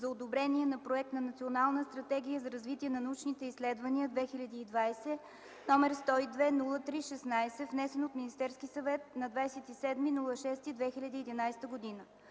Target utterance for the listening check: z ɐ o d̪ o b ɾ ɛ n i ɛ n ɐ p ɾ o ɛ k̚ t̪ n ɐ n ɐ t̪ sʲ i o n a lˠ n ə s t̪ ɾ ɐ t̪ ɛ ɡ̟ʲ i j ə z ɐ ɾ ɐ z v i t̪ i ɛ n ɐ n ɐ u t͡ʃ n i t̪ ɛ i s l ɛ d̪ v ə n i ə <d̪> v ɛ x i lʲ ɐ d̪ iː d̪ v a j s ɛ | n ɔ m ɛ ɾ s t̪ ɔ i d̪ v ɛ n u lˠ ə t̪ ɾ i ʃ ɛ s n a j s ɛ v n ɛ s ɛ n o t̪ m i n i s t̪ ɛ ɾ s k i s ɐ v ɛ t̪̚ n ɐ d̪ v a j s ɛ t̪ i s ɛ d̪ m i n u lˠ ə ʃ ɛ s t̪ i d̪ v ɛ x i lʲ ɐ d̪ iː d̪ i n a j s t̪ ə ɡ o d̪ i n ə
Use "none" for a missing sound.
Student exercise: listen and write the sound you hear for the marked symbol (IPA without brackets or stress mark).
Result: d̪